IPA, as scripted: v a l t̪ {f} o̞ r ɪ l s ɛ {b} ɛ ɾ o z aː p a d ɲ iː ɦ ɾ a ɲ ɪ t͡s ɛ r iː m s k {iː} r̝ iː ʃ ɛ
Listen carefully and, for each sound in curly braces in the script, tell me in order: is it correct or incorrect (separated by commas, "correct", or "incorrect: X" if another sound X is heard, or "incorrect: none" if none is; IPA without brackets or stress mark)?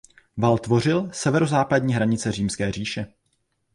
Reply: incorrect: v, incorrect: v, incorrect: ɛː